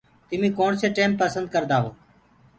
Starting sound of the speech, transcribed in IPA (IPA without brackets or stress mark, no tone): t̪